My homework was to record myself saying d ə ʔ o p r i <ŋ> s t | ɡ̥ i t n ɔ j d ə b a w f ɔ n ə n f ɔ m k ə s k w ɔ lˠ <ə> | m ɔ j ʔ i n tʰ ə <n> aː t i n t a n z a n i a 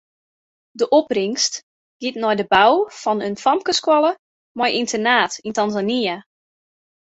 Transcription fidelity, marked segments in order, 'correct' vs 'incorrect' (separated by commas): correct, correct, correct